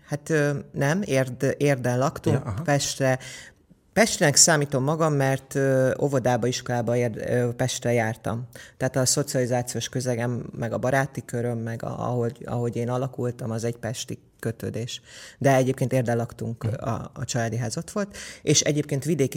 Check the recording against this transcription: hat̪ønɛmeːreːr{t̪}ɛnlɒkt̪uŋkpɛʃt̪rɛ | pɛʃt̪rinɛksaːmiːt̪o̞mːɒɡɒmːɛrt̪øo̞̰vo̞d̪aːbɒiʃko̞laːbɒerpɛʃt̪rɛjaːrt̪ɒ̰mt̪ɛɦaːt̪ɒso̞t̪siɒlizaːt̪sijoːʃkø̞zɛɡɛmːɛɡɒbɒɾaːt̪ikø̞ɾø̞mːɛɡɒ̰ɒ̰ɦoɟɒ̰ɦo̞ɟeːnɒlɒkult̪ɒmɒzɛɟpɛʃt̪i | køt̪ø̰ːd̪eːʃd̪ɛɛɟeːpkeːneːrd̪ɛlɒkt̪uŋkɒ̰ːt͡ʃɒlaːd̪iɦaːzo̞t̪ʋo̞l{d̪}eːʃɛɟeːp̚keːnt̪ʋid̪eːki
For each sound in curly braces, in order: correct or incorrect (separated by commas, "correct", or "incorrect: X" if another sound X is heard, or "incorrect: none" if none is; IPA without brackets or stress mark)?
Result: incorrect: d̪, incorrect: t̪